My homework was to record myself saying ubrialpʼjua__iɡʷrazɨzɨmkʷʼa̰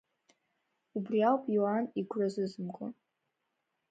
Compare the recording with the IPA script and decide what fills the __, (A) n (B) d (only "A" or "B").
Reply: A